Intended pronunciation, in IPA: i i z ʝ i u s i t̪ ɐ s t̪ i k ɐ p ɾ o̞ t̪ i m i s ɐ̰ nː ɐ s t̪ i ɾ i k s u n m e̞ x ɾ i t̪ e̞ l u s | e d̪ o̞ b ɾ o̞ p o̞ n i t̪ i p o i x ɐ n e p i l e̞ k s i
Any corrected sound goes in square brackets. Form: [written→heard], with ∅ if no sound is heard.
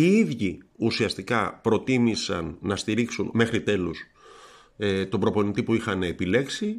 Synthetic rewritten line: i i [z→ð] ʝ i u s i [t̪→∅] ɐ s t̪ i k ɐ p ɾ o̞ t̪ i m i s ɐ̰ nː ɐ s t̪ i ɾ i k s u n m e̞ x ɾ i t̪ e̞ l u s | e [d̪→t̪] o̞ b ɾ o̞ p o̞ n i t̪ i p [o→u] i x ɐ n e p i l e̞ k s i